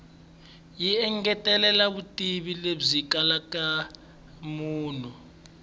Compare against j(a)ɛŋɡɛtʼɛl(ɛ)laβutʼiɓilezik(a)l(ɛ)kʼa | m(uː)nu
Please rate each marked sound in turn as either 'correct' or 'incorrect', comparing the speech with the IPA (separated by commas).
incorrect, correct, correct, incorrect, correct